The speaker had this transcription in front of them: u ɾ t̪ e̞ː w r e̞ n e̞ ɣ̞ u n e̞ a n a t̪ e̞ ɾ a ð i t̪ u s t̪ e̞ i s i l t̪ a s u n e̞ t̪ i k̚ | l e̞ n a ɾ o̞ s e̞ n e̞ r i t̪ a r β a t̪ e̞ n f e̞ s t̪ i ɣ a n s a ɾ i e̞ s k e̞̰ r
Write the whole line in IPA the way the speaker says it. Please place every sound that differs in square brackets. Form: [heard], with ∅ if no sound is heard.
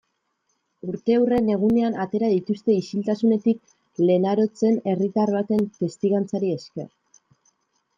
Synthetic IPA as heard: u ɾ t̪ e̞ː w r e̞ n e̞ ɣ̞ u n e̞ a n a t̪ e̞ ɾ a ð i t̪ u s t̪ e̞ i s i l t̪ a s u n e̞ t̪ i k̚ | l e̞ n a ɾ o̞ [t͡s] e̞ n e̞ r i t̪ a r β a t̪ e̞ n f e̞ s t̪ i ɣ a n [t͡s] a ɾ i e̞ s k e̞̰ r